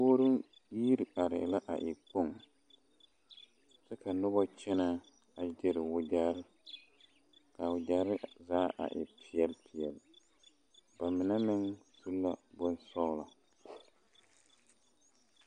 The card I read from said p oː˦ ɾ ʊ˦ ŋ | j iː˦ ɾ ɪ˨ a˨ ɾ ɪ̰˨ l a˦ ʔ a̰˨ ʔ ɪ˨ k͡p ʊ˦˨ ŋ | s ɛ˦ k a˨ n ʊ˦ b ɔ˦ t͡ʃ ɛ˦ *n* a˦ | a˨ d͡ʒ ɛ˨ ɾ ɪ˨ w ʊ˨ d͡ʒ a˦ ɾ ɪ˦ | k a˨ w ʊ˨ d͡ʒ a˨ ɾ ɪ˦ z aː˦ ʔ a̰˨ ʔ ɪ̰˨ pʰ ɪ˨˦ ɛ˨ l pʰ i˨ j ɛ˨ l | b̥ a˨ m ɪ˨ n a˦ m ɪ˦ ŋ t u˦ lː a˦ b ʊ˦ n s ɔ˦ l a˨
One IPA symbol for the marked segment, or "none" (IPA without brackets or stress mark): n